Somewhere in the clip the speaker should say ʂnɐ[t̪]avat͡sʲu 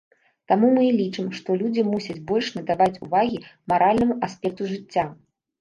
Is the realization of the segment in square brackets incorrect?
yes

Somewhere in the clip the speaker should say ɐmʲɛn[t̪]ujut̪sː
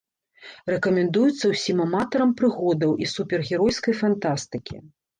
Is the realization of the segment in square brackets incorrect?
yes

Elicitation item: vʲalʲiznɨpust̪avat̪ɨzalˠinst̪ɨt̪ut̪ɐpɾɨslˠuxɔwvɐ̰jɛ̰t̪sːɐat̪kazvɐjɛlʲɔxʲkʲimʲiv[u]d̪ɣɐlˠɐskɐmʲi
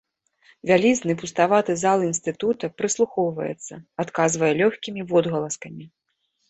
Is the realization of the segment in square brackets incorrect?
yes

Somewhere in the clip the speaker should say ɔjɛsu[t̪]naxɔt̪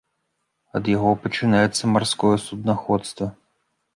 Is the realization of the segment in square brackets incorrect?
yes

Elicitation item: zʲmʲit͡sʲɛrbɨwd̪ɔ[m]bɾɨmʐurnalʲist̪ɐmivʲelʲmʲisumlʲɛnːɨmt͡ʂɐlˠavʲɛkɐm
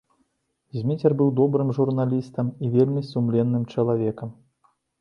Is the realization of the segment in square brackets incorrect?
yes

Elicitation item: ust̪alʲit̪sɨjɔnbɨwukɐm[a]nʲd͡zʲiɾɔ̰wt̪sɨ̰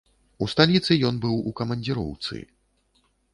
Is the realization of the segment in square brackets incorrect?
yes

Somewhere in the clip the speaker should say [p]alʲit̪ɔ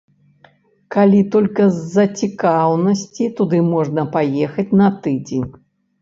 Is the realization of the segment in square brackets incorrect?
yes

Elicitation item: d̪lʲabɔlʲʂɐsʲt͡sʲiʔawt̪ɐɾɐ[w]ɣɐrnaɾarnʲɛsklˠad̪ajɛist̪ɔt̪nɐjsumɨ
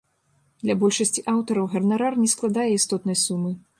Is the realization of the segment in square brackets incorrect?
no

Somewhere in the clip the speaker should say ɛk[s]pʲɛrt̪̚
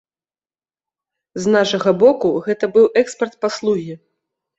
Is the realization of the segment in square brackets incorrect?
no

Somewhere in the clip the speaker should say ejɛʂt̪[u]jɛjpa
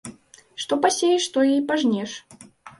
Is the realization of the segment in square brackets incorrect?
yes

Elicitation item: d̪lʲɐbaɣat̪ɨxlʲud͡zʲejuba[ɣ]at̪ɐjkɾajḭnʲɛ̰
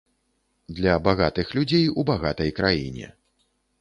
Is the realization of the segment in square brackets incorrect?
no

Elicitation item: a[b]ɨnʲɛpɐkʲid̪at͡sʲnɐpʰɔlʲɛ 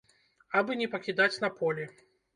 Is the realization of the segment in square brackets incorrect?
no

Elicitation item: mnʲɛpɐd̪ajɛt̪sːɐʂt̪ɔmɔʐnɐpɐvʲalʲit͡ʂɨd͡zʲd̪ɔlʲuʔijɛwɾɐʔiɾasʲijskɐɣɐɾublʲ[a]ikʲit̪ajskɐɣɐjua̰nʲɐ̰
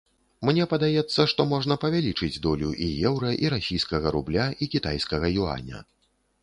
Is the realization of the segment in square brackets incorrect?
no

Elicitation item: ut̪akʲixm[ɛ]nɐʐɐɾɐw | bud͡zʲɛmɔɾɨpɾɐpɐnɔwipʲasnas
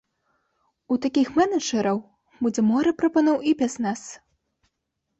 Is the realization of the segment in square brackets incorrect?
no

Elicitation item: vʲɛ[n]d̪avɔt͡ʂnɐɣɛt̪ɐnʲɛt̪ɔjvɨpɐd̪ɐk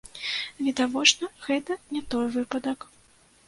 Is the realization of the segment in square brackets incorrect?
yes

